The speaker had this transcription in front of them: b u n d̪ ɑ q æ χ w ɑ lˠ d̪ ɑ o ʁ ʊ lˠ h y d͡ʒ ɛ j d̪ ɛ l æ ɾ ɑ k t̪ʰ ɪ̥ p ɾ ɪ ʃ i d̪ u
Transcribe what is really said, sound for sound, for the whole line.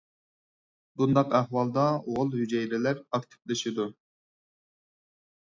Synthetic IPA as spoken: b u n d̪ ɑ q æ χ w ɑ lˠ d̪ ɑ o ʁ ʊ lˠ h y d͡ʒ ɛ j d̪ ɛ l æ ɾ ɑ k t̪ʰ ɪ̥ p l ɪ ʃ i d̪ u